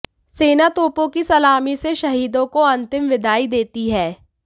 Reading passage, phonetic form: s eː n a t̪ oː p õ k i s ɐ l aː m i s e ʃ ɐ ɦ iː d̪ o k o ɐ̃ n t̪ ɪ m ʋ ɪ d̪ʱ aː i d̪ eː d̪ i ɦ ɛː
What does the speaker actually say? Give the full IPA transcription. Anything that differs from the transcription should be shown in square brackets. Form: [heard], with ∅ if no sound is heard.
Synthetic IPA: s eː n a t̪ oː p õ k i s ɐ l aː m i s e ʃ ɐ ɦ iː d̪ [õ] k o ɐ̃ n t̪ ɪ m ʋ ɪ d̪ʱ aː i d̪ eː [t̪] i ɦ ɛː